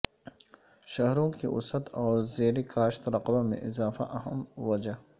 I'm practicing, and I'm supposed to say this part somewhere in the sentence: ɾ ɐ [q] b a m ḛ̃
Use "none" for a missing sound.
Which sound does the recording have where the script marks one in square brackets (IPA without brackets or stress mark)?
q